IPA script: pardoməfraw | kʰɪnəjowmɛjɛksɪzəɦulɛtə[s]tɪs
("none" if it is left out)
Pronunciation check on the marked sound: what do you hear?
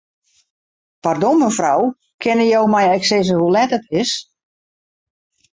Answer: none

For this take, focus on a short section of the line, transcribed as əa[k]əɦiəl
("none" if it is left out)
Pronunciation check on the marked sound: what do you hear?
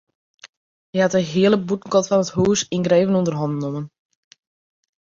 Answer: t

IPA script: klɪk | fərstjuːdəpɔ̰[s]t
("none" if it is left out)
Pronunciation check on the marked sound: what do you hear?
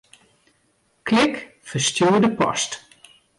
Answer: s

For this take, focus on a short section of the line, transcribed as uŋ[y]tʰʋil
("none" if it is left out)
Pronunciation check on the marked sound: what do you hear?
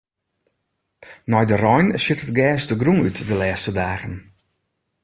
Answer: y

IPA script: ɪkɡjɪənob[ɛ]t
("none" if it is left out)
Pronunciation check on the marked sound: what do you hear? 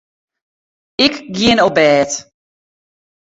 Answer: ɛː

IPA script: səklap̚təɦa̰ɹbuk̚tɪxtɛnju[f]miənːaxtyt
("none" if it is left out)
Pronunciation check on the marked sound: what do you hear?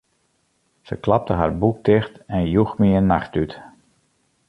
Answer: x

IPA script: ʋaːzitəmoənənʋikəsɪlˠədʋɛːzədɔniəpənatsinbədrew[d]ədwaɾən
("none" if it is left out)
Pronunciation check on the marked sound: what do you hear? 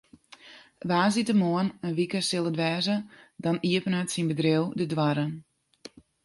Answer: d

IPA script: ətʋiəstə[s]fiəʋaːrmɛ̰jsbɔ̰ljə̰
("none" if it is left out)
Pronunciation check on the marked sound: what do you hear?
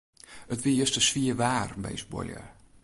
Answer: s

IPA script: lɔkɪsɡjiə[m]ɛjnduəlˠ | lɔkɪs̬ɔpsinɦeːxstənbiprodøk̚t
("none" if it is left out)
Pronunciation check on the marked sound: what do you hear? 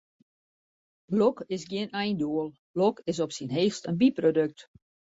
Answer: n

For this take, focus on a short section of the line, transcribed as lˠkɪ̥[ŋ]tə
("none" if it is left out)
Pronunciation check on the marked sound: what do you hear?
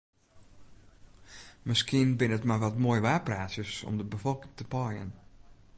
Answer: ŋ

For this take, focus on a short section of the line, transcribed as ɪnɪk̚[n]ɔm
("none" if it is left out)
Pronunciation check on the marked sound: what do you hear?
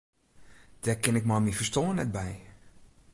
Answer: m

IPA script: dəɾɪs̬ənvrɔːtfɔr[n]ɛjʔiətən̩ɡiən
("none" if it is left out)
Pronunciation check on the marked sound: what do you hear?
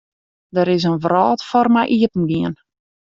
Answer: m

